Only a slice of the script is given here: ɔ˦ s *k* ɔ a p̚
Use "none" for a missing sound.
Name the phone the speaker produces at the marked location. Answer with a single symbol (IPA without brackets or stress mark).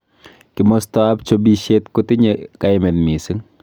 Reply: t